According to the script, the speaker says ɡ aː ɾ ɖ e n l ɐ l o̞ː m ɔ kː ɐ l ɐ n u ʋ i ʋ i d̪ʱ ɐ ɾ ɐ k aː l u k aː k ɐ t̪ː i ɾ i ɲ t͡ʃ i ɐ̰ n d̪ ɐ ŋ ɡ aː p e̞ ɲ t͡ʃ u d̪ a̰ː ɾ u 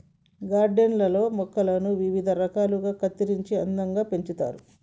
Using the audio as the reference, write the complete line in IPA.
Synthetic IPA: ɡ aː ɾ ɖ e n l ɐ l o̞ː m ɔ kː ɐ l ɐ n u ʋ i ʋ i d̪ʱ ɐ ɾ ɐ k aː l u ɡ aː k ɐ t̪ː i ɾ i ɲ t͡ʃ i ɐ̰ n d̪ ɐ ŋ ɡ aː p e̞ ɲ t͡ʃ u t̪ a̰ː ɾ u